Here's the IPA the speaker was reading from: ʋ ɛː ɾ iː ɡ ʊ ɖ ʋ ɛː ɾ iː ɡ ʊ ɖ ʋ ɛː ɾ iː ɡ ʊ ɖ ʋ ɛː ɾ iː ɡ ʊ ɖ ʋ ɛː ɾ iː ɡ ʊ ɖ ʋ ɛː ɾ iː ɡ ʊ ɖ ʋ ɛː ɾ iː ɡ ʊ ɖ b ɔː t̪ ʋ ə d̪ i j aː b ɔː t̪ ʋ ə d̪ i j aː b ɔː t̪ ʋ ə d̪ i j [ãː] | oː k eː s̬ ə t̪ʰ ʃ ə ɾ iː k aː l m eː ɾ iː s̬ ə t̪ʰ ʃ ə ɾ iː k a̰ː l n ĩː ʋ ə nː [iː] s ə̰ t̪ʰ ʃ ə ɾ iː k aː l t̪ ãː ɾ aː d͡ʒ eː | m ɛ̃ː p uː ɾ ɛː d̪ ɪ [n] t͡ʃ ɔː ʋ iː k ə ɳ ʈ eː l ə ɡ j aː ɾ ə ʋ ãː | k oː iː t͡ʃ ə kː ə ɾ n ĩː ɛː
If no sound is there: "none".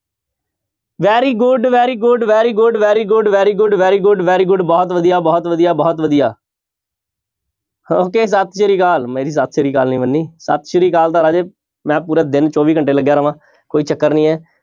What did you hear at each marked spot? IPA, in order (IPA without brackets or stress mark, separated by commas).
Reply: aː, iː, n